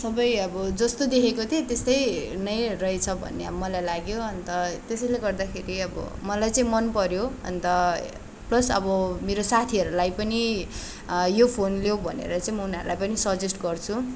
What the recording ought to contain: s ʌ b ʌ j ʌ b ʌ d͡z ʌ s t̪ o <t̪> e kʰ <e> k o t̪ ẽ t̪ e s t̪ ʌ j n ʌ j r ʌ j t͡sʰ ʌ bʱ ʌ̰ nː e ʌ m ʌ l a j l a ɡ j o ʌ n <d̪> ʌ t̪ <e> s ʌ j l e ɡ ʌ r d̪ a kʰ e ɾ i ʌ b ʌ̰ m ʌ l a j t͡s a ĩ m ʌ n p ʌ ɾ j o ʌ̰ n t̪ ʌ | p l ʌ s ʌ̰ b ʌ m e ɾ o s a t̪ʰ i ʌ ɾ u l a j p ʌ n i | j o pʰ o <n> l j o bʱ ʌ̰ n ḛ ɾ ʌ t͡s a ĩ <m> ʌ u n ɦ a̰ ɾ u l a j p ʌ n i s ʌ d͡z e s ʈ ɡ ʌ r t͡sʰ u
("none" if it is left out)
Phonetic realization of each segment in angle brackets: d̪, e, t̪, e, n, m

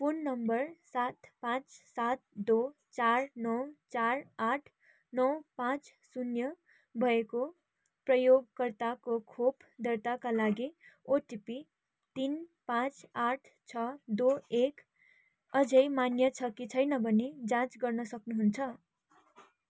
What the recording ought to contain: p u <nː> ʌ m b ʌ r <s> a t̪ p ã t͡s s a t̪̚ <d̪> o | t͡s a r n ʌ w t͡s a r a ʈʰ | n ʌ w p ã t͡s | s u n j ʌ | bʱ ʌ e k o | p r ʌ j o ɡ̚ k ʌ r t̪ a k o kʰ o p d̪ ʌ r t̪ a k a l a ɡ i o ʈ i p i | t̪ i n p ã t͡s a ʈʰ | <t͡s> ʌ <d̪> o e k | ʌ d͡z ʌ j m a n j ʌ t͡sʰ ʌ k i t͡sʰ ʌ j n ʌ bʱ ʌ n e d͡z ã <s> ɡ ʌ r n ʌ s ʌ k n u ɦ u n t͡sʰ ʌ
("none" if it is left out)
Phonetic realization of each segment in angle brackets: nː, s, d̪, t͡sʰ, d̪, t͡s

